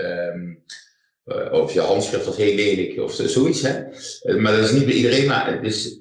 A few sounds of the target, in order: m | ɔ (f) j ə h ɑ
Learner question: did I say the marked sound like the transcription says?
yes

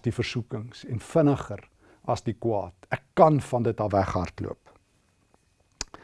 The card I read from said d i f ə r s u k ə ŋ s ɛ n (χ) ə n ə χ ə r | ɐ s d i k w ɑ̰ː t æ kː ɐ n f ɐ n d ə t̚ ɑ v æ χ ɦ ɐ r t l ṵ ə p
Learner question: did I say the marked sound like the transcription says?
no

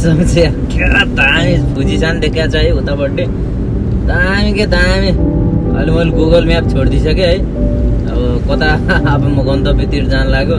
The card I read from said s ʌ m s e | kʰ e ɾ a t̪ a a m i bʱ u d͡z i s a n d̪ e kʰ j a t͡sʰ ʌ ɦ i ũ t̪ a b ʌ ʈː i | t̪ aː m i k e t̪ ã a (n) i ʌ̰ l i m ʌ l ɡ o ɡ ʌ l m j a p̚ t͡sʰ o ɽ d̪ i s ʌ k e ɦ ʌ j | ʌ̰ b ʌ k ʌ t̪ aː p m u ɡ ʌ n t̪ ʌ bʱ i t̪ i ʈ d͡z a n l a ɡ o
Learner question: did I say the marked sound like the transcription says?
no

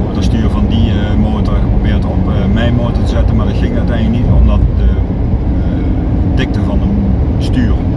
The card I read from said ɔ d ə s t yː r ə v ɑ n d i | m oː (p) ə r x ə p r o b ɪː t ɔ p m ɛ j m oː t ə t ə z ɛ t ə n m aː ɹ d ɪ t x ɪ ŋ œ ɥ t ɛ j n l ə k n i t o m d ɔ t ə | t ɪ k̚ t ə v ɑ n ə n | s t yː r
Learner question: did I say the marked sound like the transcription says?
no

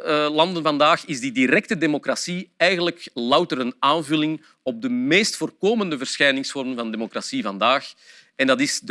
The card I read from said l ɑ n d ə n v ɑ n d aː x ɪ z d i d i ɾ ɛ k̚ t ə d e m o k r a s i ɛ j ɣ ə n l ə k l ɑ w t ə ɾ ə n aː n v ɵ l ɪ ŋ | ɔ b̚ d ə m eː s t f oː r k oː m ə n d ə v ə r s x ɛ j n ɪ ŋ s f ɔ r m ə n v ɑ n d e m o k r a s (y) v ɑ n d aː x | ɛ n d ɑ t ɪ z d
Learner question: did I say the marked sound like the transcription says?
no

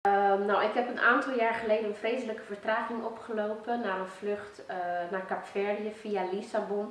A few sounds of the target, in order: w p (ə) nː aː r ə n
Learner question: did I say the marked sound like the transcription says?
yes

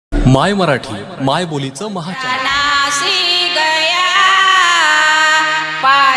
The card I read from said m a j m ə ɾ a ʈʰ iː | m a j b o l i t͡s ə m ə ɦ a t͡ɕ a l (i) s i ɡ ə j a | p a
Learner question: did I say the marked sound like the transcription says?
no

